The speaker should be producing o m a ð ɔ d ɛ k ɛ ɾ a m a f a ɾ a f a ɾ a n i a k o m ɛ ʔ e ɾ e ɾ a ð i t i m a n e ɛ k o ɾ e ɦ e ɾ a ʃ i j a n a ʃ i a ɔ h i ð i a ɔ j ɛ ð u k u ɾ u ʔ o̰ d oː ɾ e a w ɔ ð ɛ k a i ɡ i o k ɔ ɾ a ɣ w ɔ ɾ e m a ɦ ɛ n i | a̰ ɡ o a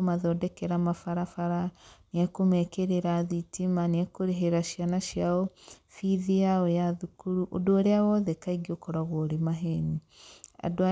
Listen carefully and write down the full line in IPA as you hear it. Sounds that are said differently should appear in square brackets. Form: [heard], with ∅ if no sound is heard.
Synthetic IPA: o m a ð ɔ d ɛ k ɛ ɾ a m a f a ɾ a f a ɾ a n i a k o m ɛ [k] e ɾ e ɾ a ð i t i m a n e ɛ k o ɾ e ɦ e ɾ a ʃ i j a n a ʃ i a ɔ [f] i ð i a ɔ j [a] ð u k u ɾ u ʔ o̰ d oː ɾ e a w ɔ ð ɛ k a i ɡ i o k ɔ ɾ a ɣ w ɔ ɾ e m a ɦ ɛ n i | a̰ [d] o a